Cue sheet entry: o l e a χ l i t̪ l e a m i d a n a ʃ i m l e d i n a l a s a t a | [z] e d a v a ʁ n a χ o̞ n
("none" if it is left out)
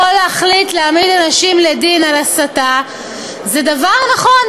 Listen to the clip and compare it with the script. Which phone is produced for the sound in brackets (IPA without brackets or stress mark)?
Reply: z